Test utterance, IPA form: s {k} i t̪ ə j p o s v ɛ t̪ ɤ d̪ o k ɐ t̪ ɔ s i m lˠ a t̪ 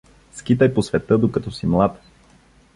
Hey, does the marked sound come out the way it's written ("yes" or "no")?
yes